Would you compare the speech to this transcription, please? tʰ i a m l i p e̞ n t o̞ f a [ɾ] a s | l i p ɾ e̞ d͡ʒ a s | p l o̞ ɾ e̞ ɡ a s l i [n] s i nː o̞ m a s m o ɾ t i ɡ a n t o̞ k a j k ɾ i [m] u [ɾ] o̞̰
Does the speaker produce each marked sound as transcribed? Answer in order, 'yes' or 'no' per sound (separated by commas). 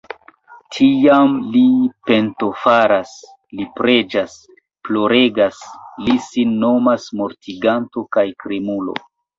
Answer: yes, no, yes, no